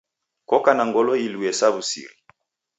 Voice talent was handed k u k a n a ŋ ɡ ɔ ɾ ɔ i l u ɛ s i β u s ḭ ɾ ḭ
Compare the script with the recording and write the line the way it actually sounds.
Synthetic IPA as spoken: k ɔ k a n a ŋ ɡ ɔ l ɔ i l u ɛ s a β u s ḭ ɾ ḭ